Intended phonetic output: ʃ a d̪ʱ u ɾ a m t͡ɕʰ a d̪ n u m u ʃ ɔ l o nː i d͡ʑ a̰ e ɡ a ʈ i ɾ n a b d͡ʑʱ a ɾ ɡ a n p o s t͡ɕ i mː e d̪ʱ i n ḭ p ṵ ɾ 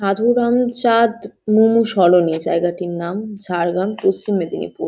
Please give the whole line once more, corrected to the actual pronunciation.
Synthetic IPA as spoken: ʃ a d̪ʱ u ɾ a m t͡ɕ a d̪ m u m u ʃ ɔ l o n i d͡ʑ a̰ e ɡ a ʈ i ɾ n a m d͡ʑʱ a ɾ ɡ a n p o s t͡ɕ i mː e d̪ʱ i n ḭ p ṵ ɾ